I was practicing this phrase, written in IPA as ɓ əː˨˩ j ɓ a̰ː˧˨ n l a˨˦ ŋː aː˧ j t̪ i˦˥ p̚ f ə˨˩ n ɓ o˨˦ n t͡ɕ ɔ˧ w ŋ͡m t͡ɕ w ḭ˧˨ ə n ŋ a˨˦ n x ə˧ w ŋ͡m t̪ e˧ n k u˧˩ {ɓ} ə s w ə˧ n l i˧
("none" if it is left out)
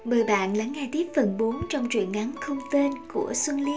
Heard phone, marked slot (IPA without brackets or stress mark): none